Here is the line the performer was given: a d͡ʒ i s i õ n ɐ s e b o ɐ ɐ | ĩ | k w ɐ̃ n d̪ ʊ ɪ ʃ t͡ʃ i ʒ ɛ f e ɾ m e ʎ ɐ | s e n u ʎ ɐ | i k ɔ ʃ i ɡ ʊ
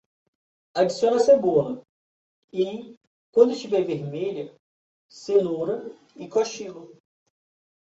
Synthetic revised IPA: a d͡ʒ i s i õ n ɐ s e b o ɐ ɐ | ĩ | k w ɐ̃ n d̪ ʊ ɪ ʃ t͡ʃ i v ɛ v e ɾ m e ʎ ɐ | s e n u ɾ ɐ | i k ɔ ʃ i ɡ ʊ

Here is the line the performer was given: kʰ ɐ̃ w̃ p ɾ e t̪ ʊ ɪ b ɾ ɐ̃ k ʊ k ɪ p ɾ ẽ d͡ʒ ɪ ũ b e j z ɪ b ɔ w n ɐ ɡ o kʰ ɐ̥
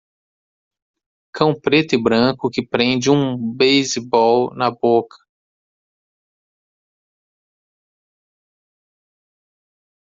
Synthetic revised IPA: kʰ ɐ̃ w̃ p ɾ e t̪ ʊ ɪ b ɾ ɐ̃ k ʊ k ɪ p ɾ ẽ d͡ʒ ɪ ũ b e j z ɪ b ɔ w n ɐ b o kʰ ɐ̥

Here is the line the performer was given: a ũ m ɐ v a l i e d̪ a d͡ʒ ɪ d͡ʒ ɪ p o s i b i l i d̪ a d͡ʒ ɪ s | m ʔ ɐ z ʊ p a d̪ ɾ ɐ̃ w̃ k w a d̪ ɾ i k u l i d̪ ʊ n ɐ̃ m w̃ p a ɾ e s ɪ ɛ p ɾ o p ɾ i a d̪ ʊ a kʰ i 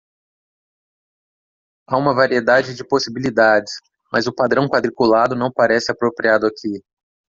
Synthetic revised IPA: a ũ m ɐ v a ɾ i e d̪ a d͡ʒ ɪ d͡ʒ ɪ p o s i b i l i d̪ a d͡ʒ ɪ s | m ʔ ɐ z ʊ p a d̪ ɾ ɐ̃ w̃ k w a d̪ ɾ i k u l a d̪ ʊ n ɐ̃ w̃ p a ɾ ɛ s ɪ a p ɾ o p ɾ i a d̪ ʊ a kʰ i

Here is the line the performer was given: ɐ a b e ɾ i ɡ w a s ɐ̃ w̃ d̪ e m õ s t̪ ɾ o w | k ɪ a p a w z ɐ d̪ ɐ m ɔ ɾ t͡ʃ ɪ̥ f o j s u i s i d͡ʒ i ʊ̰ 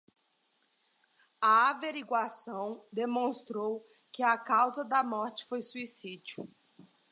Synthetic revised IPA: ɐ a v e ɾ i ɡ w a s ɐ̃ w̃ d̪ e m õ s t̪ ɾ o w | k ɪ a k a w z ɐ d̪ ɐ m ɔ ɾ t͡ʃ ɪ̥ f o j s u i s i d͡ʒ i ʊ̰

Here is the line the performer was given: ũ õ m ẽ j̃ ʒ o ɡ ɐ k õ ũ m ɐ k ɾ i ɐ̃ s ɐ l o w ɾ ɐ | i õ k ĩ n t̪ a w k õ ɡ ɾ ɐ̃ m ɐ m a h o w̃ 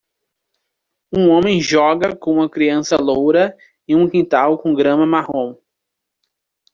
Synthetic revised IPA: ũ õ m ẽ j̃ ʒ ɔ ɡ ɐ k õ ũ m ɐ k ɾ i ɐ̃ s ɐ l o w ɾ ɐ | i ũ k ĩ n t̪ a w k õ ɡ ɾ ɐ̃ m ɐ m a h õ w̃

